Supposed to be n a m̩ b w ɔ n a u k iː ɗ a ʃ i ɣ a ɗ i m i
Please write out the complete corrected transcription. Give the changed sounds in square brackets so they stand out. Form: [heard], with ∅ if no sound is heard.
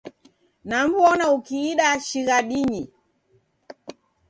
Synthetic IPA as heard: n a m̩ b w ɔ n a u k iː ɗ a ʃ i ɣ a ɗ i [ɲ] i